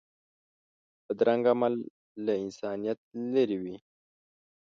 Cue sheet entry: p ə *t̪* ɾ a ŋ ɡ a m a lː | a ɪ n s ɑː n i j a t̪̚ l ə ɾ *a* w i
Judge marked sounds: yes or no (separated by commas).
no, no